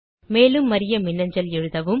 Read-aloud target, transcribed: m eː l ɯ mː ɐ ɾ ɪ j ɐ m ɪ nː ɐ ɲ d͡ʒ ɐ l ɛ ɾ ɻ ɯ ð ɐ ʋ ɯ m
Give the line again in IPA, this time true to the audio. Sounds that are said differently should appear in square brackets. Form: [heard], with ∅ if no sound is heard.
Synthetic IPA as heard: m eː l ɯ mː ɐ ɾ ɪ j ɐ m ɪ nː ɐ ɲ d͡ʒ ɐ l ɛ [∅] ɻ ɯ ð ɐ ʋ ɯ m

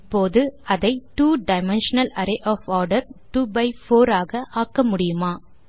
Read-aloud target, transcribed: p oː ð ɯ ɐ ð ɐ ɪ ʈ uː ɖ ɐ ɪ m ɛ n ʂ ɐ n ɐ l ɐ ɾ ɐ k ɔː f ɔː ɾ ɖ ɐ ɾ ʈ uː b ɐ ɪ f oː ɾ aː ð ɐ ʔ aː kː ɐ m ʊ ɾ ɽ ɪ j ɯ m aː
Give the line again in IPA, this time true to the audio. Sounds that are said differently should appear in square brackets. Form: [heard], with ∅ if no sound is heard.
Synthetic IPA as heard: p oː ð ɯ ɐ ð ɐ ɪ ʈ uː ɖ ɐ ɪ m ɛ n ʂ ɐ n ɐ l ɐ ɾ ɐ [ʔ] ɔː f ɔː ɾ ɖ ɐ ɾ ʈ uː b ɐ ɪ f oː ɾ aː [ɣ] ɐ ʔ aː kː ɐ m ʊ [∅] ɽ ɪ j ɯ m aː

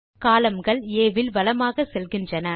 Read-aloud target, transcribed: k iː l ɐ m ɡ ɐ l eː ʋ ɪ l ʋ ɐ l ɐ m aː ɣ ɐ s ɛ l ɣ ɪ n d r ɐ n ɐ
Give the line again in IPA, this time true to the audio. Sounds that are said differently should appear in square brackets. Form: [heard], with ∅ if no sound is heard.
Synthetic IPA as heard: k [aː] l ɐ m ɡ ɐ [ɭ] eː ʋ ɪ l ʋ ɐ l ɐ m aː ɣ ɐ s ɛ l ɣ ɪ n d r ɐ n ɐ

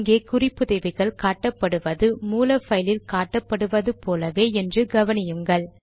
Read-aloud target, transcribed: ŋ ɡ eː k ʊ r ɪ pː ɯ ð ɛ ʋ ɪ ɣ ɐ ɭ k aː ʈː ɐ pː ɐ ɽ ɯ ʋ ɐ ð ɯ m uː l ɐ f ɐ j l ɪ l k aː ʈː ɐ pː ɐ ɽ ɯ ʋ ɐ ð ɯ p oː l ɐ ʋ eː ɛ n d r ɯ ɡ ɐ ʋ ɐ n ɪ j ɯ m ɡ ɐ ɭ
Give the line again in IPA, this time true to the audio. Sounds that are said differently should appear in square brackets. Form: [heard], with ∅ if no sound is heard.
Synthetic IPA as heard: ŋ ɡ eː k ʊ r ɪ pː ɯ ð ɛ ʋ ɪ ɣ ɐ ɭ k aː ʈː ɐ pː ɐ ɽ ɯ ʋ ɐ ð ɯ m uː l ɐ f ɐ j l ɪ l k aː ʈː ɐ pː ɐ ɽ ɯ ʋ ɐ ð ɯ p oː l ɐ ʋ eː ɛ n d r ɯ ɡ ɐ ʋ ɐ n ɪ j ɯ [ŋ] ɡ ɐ ɭ

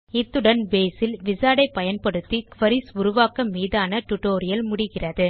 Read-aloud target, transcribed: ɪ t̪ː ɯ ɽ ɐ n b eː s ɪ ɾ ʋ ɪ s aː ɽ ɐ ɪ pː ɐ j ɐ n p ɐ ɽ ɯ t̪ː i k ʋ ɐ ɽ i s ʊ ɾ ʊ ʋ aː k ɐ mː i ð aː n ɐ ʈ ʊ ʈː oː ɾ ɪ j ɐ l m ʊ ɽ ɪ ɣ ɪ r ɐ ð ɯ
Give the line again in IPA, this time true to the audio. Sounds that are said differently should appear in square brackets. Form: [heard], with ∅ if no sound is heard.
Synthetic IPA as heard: ɪ t̪ː ɯ ɽ ɐ n b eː s ɪ [l] ʋ ɪ s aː ɽ ɐ ɪ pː ɐ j ɐ n p ɐ ɽ ɯ t̪ː i k ʋ ɐ [ɾ] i s ʊ ɾ ʊ ʋ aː k ɐ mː [iː] ð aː n ɐ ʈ ʊ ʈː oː ɾ ɪ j ɐ l m ʊ ɽ ɪ ɣ ɪ r ɐ ð ɯ

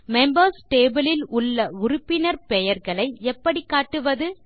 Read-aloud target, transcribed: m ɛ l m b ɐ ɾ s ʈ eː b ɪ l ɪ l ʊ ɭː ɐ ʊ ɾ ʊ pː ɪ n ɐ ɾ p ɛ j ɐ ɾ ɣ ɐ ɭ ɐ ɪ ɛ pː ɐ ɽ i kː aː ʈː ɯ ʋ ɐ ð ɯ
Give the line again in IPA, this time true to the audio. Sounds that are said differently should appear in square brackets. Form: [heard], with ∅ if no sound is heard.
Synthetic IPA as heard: m ɛ [∅] m b ɐ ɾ s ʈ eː b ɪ l ɪ l ʊ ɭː ɐ ʊ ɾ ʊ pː ɪ n ɐ ɾ p ɛ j ɐ ɾ ɣ ɐ ɭ ɐ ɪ ɛ pː ɐ ɽ i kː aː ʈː ɯ ʋ ɐ ð ɯ

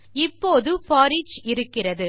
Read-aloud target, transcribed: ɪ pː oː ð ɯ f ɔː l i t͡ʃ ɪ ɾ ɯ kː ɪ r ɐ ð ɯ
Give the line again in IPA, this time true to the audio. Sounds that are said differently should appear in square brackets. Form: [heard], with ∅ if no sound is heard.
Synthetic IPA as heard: ɪ pː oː ð ɯ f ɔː [ɾ] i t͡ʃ ɪ ɾ ɯ kː ɪ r ɐ ð ɯ

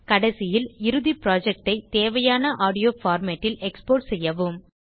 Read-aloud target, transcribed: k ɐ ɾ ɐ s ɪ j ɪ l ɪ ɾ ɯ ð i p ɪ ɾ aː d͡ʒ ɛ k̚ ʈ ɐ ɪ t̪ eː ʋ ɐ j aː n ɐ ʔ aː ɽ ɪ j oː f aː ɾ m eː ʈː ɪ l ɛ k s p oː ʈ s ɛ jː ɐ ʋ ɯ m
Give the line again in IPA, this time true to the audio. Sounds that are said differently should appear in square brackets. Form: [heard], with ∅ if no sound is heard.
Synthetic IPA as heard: k ɐ [ɽ] ɐ s ɪ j ɪ l ɪ ɾ ɯ ð i p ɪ ɾ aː d͡ʒ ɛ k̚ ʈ ɐ ɪ t̪ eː ʋ ɐ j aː n ɐ ʔ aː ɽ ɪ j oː f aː ɾ m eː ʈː ɪ l ɛ k s p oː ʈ s ɛ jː ɐ ʋ ɯ m

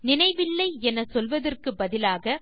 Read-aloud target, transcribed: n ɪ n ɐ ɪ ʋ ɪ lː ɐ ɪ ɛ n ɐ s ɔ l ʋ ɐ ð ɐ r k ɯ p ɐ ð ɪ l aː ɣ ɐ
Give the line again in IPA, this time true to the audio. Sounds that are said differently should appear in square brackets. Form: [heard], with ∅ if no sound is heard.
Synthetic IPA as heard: n ɪ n ɐ ɪ ʋ ɪ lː ɐ ɪ ɛ n ɐ s ɔ l ʋ ɐ ð ɐ r k ɯ [b] ɐ ð ɪ l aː ɣ ɐ

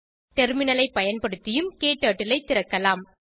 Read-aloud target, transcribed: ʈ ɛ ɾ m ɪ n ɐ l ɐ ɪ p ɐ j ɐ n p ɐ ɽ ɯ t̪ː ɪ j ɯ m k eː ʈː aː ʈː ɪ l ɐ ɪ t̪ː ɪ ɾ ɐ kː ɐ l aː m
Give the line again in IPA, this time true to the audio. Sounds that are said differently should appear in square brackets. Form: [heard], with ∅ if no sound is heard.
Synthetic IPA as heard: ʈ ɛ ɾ m ɪ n ɐ l ɐ ɪ p ɐ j ɐ n p ɐ ɽ ɯ t̪ː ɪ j ɯ m k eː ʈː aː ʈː ɪ l ɐ ɪ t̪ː ɪ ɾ ɐ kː ɐ l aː m

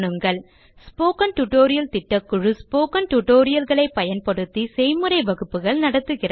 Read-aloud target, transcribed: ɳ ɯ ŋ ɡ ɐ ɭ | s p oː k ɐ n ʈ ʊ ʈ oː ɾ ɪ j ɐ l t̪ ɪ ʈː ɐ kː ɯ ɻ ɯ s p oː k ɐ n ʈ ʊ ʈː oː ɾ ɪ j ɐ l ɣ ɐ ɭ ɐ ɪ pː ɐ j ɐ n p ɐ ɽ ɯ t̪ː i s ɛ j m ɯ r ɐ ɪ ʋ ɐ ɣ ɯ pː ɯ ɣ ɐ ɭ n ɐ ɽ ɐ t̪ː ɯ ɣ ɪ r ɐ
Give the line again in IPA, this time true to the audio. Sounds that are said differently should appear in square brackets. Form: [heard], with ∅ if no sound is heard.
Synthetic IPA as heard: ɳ ɯ ŋ ɡ ɐ ɭ | s p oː k ɐ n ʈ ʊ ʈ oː ɾ ɪ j ɐ l t̪ ɪ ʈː ɐ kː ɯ ɻ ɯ s p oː k ɐ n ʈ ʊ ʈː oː ɾ ɪ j ɐ l ɣ ɐ ɭ ɐ ɪ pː ɐ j ɐ n p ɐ ɽ ɯ t̪ː i s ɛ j m ɯ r ɐ ɪ ʋ ɐ ɣ ɯ pː ɯ ɣ ɐ ɭ n ɐ ɽ ɐ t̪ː ɯ ɣ ɪ r ɐ

